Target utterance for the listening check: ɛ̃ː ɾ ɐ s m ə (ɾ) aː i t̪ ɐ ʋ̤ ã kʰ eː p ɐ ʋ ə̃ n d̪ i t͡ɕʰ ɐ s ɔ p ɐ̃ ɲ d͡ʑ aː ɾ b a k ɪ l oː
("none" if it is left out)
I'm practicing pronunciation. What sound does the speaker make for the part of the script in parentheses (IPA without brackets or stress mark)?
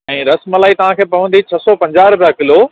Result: l